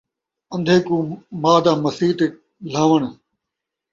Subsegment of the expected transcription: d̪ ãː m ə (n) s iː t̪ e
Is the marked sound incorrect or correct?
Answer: incorrect: none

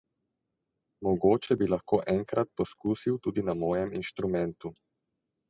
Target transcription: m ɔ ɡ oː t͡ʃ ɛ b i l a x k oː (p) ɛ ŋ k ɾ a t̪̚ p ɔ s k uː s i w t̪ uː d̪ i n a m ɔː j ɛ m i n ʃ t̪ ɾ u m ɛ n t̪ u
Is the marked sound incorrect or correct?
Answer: incorrect: ʔ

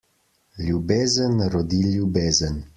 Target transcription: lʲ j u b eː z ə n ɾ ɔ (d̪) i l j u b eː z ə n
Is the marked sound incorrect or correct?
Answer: correct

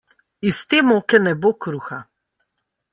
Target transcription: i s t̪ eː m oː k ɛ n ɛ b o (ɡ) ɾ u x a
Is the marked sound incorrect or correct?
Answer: incorrect: k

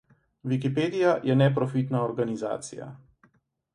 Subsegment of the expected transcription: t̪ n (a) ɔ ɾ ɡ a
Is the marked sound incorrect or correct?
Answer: correct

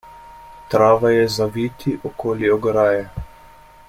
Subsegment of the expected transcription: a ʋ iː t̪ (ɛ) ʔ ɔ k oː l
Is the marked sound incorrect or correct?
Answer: incorrect: i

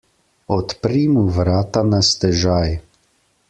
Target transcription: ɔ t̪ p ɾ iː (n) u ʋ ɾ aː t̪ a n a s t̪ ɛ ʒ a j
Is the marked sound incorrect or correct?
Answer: incorrect: m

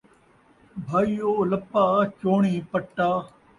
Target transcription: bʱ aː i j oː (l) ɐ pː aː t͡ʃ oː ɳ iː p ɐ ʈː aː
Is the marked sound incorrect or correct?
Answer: correct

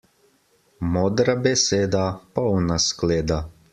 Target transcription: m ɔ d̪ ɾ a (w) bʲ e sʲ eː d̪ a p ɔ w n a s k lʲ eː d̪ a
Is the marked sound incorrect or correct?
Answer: incorrect: none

